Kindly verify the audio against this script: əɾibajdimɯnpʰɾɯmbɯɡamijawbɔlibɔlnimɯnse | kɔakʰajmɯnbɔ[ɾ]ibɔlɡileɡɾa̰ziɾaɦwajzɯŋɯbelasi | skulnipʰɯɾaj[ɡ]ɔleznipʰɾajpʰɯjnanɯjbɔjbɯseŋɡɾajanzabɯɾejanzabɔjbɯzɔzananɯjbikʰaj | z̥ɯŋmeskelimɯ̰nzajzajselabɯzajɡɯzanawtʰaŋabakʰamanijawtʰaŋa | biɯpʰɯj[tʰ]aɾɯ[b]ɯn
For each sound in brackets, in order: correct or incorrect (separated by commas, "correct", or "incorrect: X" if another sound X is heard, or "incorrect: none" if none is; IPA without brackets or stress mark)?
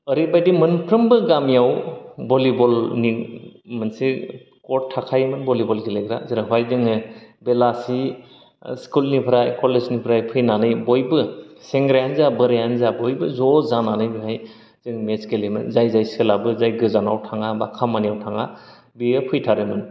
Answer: incorrect: l, incorrect: k, correct, incorrect: m